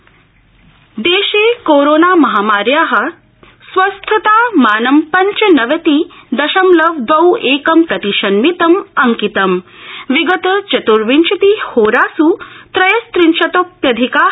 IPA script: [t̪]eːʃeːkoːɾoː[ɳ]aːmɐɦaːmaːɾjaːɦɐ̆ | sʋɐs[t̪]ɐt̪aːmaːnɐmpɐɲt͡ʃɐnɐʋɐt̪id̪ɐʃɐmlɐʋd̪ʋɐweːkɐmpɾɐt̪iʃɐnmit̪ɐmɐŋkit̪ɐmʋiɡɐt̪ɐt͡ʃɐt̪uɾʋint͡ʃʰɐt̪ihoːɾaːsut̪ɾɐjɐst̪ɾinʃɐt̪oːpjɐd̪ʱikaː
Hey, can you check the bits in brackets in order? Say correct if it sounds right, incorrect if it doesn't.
incorrect, incorrect, incorrect

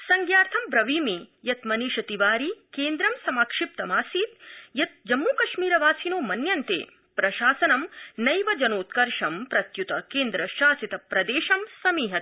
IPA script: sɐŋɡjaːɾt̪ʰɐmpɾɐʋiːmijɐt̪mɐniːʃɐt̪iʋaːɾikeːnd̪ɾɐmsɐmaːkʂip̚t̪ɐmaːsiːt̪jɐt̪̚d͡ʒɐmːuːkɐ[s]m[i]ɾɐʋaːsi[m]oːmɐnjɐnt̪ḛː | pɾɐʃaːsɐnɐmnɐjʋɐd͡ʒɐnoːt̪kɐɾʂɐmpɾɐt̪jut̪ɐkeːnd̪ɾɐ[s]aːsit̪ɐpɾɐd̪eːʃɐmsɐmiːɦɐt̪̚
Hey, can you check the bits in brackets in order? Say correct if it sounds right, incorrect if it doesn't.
incorrect, incorrect, incorrect, incorrect

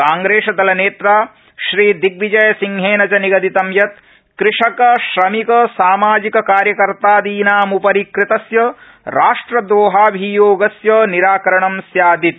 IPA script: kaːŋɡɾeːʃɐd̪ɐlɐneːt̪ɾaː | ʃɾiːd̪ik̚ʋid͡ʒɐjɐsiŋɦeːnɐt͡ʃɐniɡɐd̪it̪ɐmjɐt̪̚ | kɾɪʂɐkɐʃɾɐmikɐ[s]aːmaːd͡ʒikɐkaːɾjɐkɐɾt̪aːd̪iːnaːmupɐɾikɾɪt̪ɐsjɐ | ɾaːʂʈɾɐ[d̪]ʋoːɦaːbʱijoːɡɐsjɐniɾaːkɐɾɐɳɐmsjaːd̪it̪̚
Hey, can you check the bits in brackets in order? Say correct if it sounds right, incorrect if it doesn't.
correct, correct

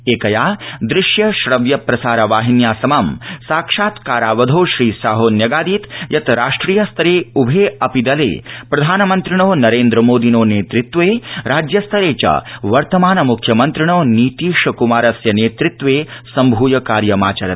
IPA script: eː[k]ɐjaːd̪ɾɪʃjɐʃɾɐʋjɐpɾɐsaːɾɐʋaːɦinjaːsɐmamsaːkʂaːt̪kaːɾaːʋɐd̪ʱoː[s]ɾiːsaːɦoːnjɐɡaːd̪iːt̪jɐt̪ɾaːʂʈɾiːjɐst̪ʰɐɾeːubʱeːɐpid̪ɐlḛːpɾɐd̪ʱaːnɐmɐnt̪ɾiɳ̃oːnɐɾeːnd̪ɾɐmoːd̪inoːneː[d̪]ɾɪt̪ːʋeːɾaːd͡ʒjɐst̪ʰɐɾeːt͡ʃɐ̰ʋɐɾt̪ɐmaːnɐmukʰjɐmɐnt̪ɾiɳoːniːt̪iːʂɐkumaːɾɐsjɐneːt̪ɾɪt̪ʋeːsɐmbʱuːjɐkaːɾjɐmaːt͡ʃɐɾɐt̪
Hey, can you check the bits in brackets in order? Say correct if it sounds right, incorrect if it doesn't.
correct, incorrect, incorrect

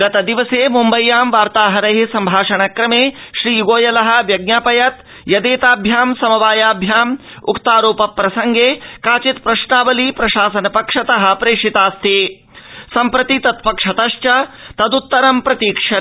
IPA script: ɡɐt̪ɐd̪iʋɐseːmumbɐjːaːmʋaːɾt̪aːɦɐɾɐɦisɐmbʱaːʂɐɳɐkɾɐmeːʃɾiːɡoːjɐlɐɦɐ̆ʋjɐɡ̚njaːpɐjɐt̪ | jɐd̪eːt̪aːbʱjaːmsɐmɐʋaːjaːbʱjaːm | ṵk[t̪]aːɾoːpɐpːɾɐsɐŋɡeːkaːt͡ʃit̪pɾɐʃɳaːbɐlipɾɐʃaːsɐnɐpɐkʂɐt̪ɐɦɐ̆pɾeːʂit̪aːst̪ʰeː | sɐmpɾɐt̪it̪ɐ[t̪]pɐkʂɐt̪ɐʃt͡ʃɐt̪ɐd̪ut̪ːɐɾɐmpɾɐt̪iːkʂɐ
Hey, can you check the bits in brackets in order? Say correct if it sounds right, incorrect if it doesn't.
correct, correct

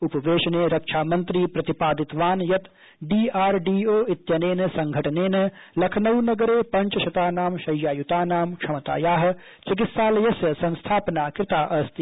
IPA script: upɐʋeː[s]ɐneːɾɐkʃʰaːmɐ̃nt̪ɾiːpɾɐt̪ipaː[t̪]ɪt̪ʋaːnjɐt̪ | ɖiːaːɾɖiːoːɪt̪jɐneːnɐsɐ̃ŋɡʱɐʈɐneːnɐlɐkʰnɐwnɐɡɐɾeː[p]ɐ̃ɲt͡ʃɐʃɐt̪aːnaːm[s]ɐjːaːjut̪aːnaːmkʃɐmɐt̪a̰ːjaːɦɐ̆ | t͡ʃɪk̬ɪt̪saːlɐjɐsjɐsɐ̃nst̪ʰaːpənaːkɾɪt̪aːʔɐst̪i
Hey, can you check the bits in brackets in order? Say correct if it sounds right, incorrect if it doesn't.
incorrect, incorrect, correct, incorrect

